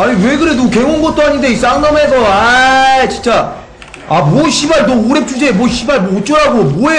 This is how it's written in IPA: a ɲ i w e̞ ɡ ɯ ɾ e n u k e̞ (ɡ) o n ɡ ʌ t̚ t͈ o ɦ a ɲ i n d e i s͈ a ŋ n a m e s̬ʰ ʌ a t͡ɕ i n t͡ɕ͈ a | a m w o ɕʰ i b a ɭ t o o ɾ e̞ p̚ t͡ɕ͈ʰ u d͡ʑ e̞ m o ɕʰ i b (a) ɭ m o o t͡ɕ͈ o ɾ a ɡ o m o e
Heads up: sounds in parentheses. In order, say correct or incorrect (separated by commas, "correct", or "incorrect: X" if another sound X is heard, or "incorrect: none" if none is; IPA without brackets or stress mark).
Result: incorrect: ŋ, correct